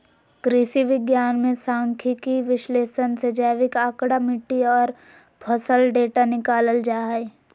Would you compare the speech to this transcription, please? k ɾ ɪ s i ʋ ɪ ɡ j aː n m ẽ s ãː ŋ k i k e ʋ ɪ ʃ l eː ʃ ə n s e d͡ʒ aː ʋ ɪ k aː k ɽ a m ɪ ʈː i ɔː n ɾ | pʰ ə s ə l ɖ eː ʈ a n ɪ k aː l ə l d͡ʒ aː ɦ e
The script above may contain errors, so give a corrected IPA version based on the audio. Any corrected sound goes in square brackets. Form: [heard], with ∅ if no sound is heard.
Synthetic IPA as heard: k ɾ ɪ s i ʋ ɪ ɡ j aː n m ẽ s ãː ŋ [kʰ] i k [i] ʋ ɪ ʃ l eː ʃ ə n s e d͡ʒ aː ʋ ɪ k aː k ɽ a m ɪ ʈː i ɔː [∅] ɾ | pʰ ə s ə l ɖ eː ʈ a n ɪ k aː l ə l d͡ʒ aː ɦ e